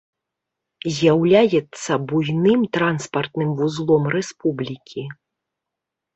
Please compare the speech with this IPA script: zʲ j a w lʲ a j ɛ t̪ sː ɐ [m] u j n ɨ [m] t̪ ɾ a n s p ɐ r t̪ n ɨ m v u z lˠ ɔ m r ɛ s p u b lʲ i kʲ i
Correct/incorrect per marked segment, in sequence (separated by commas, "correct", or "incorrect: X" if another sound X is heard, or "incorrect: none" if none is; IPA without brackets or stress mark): incorrect: b, correct